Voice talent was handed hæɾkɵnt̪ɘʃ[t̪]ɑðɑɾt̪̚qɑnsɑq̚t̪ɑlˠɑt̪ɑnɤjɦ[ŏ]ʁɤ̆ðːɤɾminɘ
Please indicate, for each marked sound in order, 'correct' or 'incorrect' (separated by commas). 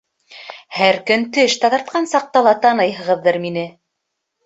correct, incorrect